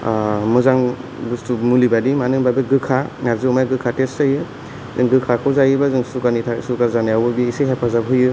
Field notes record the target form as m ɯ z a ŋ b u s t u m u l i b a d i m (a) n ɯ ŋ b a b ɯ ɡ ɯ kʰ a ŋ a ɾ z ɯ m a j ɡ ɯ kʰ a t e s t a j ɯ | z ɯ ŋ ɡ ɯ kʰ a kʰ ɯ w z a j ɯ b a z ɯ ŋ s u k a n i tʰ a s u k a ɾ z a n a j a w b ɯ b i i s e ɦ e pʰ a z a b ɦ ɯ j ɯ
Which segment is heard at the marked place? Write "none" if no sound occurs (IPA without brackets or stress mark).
a